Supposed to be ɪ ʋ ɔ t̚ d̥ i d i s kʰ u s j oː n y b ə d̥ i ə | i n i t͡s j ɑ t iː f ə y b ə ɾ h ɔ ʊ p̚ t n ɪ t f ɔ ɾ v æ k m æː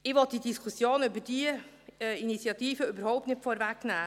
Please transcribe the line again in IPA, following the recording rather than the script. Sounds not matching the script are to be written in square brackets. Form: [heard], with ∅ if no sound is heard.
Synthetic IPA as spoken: ɪ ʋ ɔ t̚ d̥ i d i s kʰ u s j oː n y b ə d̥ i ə | i n i t͡s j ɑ t iː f ə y b ə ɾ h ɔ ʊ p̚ t n ɪ t f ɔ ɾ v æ k [n] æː